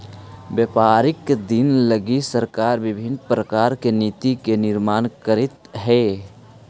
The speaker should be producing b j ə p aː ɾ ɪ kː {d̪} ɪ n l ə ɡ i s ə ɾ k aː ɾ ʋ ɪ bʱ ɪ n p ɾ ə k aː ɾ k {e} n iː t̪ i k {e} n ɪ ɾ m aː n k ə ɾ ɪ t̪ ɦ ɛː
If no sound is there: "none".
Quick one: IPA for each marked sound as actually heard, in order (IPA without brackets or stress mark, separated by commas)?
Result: d̪, e, e